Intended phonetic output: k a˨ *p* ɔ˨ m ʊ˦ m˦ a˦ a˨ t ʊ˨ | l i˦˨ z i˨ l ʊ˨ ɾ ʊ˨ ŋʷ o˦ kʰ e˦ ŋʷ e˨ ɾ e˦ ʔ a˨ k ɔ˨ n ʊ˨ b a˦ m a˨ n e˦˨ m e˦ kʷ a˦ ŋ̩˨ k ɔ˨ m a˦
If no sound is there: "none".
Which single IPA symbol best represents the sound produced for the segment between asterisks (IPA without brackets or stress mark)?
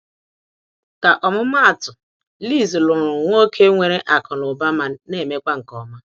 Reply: ʔ